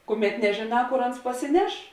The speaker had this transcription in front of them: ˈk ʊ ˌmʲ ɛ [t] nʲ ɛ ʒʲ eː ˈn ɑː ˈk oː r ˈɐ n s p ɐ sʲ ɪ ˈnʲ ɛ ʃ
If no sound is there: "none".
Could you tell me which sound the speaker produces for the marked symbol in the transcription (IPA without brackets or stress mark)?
t